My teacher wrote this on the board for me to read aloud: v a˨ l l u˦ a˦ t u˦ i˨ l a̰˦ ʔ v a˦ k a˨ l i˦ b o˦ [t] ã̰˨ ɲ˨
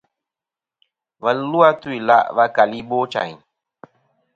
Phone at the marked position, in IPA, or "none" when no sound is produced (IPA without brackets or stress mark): t͡ʃ